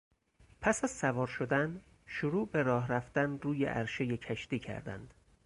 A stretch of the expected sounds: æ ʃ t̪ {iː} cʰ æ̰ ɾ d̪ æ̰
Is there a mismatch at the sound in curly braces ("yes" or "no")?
no